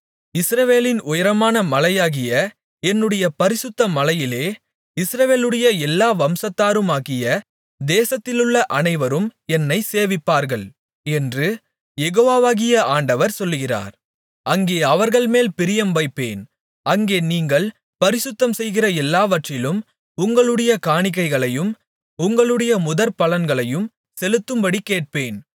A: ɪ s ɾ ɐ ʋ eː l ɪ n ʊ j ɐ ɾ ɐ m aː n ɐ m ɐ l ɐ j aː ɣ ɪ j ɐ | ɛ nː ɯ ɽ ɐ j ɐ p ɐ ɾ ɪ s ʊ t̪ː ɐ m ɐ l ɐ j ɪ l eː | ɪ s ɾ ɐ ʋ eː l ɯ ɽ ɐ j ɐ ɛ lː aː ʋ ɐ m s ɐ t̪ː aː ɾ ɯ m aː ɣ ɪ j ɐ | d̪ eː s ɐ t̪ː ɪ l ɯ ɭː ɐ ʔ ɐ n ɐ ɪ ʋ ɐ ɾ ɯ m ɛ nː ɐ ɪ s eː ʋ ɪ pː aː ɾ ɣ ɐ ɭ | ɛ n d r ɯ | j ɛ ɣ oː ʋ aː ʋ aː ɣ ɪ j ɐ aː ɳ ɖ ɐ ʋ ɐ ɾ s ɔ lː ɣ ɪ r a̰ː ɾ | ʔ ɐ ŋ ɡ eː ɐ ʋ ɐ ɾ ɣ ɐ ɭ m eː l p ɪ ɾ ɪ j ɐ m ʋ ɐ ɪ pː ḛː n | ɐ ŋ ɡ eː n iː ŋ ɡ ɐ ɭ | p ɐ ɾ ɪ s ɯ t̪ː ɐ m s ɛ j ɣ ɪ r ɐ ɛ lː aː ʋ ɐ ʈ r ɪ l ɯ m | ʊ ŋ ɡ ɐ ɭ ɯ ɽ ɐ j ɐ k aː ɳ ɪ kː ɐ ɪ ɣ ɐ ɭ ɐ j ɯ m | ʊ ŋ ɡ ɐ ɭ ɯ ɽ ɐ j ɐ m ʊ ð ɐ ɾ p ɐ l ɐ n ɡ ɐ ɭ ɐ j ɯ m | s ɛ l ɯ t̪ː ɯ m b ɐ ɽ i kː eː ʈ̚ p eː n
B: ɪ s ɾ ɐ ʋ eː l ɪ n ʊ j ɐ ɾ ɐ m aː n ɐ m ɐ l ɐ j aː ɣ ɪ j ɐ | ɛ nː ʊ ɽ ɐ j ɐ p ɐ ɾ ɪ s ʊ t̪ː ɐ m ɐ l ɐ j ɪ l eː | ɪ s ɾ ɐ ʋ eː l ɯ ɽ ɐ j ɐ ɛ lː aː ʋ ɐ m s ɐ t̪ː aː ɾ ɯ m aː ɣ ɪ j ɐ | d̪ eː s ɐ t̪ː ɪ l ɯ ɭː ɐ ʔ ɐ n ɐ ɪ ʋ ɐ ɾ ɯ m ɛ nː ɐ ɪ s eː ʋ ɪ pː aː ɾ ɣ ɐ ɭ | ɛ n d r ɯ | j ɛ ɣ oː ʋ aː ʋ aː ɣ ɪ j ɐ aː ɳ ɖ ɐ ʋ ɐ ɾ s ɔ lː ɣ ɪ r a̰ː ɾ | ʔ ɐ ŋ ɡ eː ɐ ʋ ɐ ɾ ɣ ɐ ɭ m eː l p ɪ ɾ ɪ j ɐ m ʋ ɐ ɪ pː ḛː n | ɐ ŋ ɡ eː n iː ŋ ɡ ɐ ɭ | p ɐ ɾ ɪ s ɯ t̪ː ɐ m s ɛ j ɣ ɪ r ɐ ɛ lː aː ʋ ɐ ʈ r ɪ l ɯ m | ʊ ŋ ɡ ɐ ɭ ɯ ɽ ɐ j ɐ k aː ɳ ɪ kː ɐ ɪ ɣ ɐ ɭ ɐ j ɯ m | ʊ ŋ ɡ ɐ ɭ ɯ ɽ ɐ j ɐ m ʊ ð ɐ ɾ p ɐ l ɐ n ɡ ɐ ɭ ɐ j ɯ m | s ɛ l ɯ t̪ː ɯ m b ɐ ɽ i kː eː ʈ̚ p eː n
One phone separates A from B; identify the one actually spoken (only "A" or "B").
A